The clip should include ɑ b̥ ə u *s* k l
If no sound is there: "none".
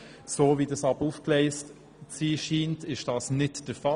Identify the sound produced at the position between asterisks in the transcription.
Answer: f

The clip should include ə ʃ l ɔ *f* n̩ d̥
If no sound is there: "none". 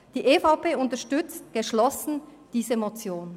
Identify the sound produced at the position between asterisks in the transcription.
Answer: s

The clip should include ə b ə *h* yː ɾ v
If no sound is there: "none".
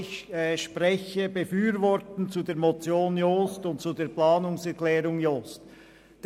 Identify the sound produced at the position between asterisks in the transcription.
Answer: f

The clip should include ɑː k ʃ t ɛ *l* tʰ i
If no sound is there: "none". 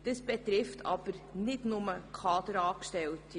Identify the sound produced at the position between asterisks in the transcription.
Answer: l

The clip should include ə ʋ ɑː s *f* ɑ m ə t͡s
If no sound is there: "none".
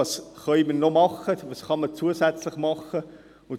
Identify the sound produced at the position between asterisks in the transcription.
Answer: χ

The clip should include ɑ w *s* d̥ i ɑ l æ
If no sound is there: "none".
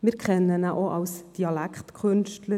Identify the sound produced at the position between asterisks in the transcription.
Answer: s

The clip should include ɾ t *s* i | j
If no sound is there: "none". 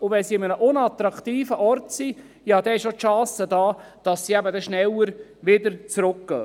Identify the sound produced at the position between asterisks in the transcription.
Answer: s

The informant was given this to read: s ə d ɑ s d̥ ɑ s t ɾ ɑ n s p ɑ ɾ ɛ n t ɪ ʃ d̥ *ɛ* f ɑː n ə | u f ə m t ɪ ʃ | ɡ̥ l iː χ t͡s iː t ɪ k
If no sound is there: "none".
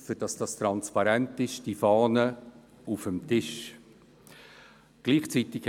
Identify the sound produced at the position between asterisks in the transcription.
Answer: i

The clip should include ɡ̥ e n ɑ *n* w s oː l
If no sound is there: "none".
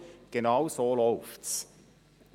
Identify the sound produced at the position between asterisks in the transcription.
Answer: none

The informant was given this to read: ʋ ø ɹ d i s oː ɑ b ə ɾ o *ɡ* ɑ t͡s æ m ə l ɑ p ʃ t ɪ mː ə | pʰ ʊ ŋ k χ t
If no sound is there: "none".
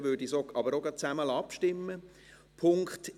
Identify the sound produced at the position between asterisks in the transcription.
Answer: ɡ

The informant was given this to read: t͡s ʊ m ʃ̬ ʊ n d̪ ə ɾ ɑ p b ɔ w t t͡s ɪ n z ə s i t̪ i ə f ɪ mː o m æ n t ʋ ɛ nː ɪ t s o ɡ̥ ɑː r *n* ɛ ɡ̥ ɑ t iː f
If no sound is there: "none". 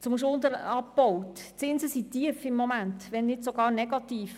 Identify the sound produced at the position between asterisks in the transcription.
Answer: n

